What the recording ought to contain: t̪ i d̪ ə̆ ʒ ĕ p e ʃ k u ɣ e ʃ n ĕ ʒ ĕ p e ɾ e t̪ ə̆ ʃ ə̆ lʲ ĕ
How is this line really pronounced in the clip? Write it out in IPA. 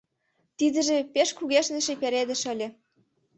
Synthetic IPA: t̪ i d̪ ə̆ ʒ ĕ p e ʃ k u ɣ e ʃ n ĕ ʃ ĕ p e ɾ e d̪ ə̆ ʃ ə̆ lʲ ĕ